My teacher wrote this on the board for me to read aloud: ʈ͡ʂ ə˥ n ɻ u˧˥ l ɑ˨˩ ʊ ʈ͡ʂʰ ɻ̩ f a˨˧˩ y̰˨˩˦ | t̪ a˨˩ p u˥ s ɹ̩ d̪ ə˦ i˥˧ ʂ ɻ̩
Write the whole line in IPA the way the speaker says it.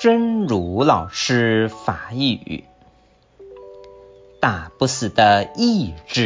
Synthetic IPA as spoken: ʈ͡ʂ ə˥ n ɻ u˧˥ l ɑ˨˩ ʊ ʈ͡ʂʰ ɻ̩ f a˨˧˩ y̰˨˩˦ | t̪ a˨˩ p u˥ s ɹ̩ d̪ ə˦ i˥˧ ʈ͡ʂ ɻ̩